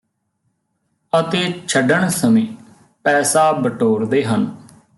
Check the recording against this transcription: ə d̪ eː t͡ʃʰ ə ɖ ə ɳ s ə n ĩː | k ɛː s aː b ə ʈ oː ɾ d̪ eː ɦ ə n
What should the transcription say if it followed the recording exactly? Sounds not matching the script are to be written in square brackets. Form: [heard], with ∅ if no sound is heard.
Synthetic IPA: ə [t̪] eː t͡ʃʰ ə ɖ ə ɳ s ə [m] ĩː | [p] ɛː s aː b ə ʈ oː ɾ d̪ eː ɦ ə n